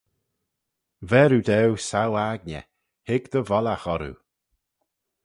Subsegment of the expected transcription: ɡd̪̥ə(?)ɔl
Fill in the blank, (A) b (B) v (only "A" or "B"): B